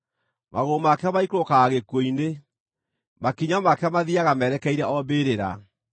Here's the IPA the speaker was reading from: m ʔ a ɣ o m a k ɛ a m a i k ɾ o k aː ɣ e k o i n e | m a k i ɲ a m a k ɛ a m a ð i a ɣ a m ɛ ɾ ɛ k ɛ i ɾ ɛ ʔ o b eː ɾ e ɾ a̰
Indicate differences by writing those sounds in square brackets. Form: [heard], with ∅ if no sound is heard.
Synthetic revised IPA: m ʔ a ɣ o m a k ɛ a m a i k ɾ o k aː ɣ e k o i n e | m a k i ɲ a m a k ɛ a m a ð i a ɣ a m ɛ ɾ ɛ k ɛ i ɾ ɛ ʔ [ɔ] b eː ɾ e ɾ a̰